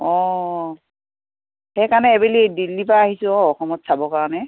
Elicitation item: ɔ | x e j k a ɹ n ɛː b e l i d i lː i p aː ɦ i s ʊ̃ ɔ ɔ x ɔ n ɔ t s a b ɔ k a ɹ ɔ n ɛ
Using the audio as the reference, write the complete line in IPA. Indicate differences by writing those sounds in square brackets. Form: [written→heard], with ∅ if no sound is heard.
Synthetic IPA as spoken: ɔ | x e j k a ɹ n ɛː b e l i d i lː i p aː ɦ i s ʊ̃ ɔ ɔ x ɔ [n→m] ɔ t s a b ɔ k a ɹ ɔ n ɛ